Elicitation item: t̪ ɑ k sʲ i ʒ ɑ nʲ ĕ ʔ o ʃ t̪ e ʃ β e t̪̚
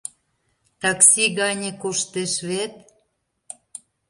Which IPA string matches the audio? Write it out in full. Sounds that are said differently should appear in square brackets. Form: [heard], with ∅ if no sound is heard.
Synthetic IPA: t̪ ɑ k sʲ i [ɣ] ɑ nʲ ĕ [k] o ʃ t̪ e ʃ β e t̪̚